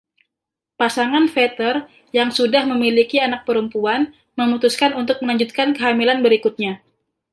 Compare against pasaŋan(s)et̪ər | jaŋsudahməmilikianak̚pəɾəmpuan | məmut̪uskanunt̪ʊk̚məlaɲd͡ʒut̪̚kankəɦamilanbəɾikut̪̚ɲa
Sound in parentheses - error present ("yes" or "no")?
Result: yes